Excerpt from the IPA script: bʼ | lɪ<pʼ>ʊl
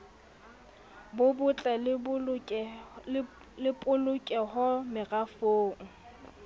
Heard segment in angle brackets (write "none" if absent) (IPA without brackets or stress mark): pʼ